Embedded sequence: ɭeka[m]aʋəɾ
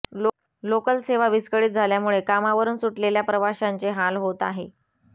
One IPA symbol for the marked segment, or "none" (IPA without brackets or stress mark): m